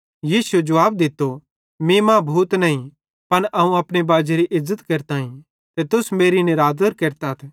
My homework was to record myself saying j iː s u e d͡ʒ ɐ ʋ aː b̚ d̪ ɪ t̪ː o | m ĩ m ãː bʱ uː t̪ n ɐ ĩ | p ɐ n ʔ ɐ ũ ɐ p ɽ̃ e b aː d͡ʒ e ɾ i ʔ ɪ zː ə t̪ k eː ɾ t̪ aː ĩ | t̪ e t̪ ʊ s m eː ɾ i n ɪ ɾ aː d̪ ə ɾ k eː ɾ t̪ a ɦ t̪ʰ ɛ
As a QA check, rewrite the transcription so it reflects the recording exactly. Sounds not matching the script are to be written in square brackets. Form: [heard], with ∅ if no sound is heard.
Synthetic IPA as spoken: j iː s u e d͡ʒ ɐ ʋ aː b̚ d̪ ɪ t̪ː o | m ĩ m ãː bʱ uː t̪ n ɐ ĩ | p ɐ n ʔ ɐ ũ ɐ p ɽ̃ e b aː d͡ʒ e ɾ i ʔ ɪ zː ə t̪ k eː ɾ t̪ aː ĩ | t̪ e t̪ ʊ s m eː ɾ i n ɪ ɾ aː d̪ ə ɾ k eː ɾ t̪ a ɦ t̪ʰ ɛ